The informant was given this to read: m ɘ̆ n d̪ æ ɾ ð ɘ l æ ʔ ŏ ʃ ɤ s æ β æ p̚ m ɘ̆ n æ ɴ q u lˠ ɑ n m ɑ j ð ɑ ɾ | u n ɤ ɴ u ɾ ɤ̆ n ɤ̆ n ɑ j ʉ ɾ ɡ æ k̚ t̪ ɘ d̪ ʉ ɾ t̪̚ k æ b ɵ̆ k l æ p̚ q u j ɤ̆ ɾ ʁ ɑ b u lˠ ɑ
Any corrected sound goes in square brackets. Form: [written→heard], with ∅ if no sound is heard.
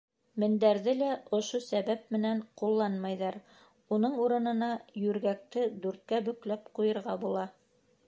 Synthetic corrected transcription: m ɘ̆ n d̪ æ ɾ ð ɘ l æ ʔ ŏ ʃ [ɤ→o] s æ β æ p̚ m ɘ̆ n æ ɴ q u [lˠ→lˠː] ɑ n m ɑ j ð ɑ ɾ | u n ɤ ɴ u ɾ ɤ̆ n ɤ̆ n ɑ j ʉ ɾ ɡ æ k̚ t̪ ɘ d̪ ʉ ɾ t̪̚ k æ b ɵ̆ k l æ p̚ q u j ɤ̆ ɾ ʁ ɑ b u lˠ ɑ